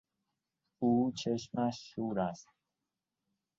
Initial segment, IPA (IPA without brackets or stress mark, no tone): uː